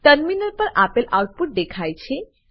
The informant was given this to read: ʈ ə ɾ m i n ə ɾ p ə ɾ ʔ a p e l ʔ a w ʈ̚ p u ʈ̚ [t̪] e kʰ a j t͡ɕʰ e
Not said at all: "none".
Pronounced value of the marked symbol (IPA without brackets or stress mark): d̪